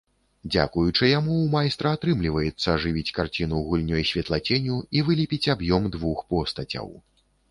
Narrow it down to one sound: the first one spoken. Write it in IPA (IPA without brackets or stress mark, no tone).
d͡zʲ